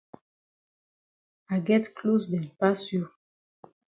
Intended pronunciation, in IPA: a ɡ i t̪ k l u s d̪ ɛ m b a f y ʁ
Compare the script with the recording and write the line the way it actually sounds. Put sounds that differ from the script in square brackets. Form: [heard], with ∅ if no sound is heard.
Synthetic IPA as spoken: a ɡ [ɛ] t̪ k l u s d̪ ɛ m [p] a [s] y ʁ

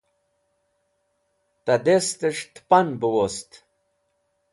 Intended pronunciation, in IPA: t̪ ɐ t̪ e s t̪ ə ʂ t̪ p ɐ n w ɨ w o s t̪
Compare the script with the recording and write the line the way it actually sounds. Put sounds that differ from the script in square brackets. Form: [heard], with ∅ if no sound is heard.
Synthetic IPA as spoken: t̪ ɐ [d̪] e s t̪ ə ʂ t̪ p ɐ n [b] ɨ w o s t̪

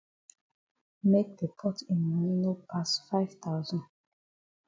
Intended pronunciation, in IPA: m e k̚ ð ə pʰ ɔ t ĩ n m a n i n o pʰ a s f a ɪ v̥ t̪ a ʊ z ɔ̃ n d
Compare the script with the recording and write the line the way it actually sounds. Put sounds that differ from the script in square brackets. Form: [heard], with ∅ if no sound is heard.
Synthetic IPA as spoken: m e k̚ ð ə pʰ ɔ t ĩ n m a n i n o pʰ a s f a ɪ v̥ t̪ a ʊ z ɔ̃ n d

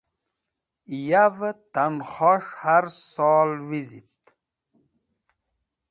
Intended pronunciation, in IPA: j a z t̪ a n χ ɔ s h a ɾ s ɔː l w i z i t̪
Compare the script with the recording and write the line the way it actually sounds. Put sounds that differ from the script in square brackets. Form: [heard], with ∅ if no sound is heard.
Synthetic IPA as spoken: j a [v] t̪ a n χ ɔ [ʂ] h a ɾ s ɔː l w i z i t̪

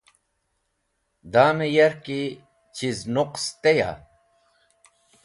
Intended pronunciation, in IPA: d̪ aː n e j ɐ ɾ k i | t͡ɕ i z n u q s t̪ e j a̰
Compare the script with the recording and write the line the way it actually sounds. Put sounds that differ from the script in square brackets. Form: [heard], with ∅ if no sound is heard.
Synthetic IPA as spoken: d̪ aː [m] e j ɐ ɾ k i | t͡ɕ i z n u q s t̪ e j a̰

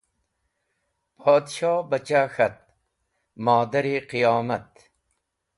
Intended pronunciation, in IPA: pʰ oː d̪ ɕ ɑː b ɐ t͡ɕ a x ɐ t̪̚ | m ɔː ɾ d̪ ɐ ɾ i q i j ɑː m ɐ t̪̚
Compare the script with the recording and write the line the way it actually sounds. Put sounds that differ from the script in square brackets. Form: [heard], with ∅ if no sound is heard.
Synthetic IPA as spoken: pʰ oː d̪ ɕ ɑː b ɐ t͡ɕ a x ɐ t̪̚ | m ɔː [∅] d̪ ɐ ɾ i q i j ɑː m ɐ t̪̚

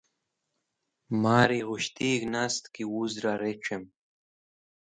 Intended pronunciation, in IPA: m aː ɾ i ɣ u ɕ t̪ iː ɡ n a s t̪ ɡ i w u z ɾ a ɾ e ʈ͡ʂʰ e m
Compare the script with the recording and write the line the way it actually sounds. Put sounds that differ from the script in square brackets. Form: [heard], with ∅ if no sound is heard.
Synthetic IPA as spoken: m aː ɾ i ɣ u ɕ t̪ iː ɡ n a s t̪ [k] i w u z ɾ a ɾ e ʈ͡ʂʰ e m

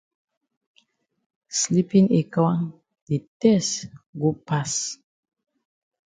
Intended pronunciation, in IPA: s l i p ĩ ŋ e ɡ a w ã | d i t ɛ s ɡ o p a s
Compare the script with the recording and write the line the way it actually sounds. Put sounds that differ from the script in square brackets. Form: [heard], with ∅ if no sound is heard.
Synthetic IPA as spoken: s l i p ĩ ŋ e [k] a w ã | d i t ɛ s ɡ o p a s

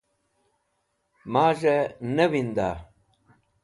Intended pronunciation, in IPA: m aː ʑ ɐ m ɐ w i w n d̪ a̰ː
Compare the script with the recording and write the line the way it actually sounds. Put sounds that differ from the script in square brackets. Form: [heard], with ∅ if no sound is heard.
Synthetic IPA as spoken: m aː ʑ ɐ [n] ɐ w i [∅] n d̪ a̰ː

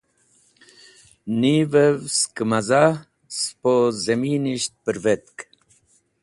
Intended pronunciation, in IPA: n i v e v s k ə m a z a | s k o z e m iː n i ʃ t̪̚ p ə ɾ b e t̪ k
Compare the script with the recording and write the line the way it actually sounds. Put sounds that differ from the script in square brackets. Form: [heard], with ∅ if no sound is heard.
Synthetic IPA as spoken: n i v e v s k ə m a z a | s [p] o z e m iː n i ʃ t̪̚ p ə ɾ [v] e t̪ k

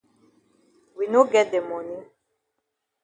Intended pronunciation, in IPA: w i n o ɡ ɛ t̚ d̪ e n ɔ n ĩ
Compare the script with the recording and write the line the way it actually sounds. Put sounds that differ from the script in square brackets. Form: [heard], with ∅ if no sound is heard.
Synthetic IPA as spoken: w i n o ɡ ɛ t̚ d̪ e [m] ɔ n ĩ

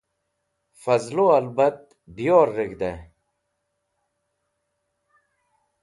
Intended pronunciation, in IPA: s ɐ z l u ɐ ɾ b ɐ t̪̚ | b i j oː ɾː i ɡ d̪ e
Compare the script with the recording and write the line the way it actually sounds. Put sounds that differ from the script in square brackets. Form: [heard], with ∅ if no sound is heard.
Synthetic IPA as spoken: [f] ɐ z l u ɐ [l] b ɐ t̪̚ | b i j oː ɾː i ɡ d̪ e

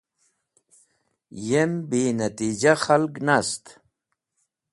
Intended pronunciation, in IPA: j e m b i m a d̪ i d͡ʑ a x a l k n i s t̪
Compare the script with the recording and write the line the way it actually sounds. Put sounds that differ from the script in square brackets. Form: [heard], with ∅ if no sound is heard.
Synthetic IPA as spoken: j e m b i [n] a [t̪] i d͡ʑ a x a l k n [a] s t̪

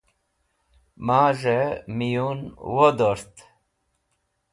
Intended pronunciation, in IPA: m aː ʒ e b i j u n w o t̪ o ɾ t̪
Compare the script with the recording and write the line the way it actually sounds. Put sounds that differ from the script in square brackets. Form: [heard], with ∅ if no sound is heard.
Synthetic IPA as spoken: m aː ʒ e [m] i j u n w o [d̪] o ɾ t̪

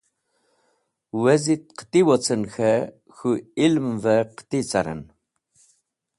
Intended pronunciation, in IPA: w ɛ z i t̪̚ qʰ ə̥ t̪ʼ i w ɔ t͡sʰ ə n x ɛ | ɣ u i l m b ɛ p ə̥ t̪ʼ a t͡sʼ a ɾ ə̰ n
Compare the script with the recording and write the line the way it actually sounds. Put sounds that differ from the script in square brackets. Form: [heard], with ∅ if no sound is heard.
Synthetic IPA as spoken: w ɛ z i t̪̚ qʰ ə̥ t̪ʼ i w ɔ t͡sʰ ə n x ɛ | [x] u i l m [v] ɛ [q] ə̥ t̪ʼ [i] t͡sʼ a ɾ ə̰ n

